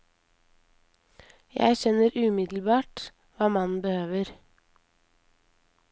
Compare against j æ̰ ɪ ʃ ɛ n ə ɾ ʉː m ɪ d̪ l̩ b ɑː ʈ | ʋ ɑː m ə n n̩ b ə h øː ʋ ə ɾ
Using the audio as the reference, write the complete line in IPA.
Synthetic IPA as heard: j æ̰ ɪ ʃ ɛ n ə ɾ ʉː m ɪ d̪ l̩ b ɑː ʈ | ʋ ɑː m ɑ n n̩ b ə h øː ʋ ə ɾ